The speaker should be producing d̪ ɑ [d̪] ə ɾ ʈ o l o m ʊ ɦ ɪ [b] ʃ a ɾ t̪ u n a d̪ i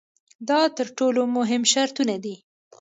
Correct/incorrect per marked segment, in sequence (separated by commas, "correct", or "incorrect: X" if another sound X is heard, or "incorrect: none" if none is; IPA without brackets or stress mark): incorrect: t̪, incorrect: m